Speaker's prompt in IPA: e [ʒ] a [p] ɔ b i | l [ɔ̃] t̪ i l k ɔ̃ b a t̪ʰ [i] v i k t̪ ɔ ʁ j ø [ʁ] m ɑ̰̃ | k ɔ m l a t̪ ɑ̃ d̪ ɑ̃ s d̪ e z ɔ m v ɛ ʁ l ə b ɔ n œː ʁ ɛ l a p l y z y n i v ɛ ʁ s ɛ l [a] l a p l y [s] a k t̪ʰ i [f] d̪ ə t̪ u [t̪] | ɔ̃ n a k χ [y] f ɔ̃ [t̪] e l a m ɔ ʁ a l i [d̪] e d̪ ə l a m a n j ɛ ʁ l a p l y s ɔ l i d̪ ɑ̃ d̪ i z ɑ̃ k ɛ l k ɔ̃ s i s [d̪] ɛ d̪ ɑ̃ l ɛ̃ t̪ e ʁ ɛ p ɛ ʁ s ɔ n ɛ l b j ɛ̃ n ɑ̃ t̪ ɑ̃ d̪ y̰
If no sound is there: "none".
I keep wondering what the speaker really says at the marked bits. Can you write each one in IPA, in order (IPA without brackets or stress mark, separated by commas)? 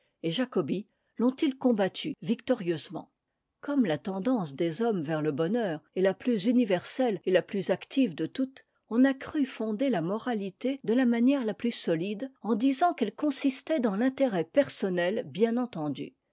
ʒ, k, ɔ̃, y, z, e, z, v, t̪, y, d̪, t̪, t̪